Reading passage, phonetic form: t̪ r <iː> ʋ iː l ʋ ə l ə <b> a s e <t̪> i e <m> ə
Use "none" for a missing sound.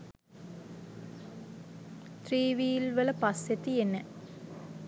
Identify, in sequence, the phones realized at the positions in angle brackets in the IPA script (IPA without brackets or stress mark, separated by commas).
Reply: iː, p, t̪, n